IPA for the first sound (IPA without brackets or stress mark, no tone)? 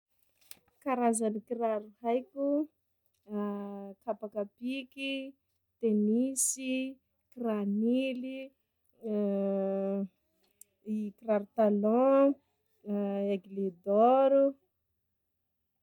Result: k